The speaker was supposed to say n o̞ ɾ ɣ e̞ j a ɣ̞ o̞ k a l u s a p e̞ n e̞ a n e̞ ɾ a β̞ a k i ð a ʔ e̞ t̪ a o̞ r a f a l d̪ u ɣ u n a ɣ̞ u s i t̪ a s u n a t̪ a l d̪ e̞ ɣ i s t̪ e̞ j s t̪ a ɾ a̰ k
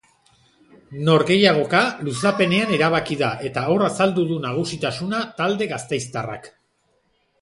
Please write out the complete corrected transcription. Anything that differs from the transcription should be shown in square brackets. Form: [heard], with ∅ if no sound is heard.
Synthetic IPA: n o̞ ɾ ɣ e̞ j a ɣ̞ o̞ k a l u s a p e̞ n e̞ a n e̞ ɾ a β̞ a k i ð a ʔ e̞ t̪ a o̞ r a [s] a l d̪ u [ð] u n a ɣ̞ u s i t̪ a s u n a t̪ a l d̪ e̞ ɣ [a] s t̪ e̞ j s t̪ a [r] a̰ k